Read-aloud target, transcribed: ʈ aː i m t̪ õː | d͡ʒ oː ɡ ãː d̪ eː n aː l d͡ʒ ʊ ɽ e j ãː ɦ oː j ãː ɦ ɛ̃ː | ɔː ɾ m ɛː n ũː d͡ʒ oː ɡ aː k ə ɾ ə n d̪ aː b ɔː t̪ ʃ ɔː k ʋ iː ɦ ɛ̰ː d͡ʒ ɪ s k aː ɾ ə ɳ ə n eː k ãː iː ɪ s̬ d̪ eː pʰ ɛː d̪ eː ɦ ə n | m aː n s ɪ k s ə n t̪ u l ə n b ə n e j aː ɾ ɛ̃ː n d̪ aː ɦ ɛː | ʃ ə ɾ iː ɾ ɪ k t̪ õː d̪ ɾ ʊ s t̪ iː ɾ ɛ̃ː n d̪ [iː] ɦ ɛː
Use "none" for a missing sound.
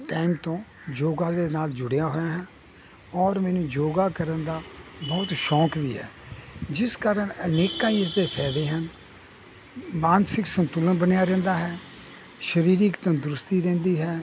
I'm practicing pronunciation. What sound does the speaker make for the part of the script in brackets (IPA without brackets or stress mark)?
iː